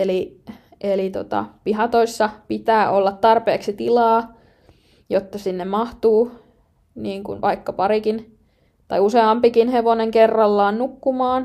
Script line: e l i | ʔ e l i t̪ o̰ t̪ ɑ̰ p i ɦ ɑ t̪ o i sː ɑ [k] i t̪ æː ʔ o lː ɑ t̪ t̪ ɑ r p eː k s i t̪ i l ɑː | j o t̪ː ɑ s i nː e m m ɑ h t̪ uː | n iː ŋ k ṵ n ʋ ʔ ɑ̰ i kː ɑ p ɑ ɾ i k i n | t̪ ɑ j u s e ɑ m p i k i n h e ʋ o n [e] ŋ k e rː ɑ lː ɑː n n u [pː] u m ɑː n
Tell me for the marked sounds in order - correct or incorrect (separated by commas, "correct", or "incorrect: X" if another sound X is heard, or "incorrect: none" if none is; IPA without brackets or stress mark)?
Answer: incorrect: p, correct, incorrect: kː